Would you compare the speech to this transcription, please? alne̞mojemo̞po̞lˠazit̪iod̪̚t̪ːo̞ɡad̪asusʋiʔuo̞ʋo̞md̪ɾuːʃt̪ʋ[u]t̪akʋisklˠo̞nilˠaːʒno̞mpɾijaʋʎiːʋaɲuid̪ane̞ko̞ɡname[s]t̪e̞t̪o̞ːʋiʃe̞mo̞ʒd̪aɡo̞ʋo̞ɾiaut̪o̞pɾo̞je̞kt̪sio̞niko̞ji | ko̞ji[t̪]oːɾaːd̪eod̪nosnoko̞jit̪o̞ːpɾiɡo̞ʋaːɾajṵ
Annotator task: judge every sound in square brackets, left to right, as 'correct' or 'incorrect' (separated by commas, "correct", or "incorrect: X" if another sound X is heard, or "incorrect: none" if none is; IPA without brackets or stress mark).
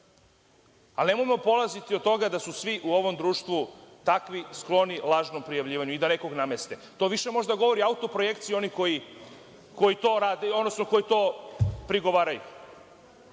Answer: correct, correct, correct